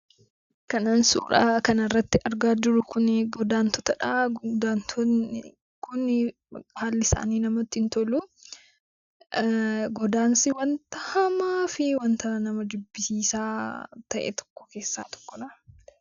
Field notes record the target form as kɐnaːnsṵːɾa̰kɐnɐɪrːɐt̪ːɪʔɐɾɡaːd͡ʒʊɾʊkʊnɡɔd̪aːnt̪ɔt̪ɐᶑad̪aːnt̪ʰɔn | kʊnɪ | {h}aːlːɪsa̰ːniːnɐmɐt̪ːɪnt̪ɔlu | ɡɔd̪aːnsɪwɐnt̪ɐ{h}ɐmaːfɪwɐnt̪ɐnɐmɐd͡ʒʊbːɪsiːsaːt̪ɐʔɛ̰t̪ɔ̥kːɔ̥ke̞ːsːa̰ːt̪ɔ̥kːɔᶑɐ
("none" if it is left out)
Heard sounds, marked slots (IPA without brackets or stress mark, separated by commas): h, h